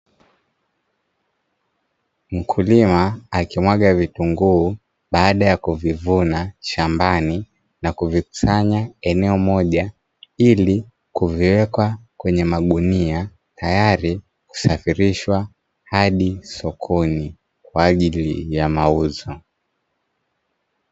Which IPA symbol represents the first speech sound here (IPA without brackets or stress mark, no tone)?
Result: m̩